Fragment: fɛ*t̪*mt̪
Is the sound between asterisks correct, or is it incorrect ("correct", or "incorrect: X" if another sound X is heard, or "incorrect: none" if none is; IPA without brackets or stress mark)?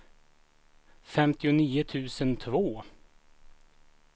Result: incorrect: none